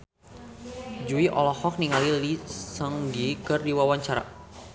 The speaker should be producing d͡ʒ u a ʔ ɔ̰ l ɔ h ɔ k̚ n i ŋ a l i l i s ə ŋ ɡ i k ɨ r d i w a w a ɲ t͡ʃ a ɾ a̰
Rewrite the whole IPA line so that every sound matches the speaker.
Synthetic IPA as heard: d͡ʒ u i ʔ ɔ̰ l ɔ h ɔ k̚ n i ŋ a l i l i s ə ŋ ɡ i k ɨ r d i w a w a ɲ t͡ʃ a ɾ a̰